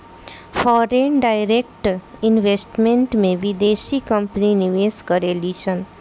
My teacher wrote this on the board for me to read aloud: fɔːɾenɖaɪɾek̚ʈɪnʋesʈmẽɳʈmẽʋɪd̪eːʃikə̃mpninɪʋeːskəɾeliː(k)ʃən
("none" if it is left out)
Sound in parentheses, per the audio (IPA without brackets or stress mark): none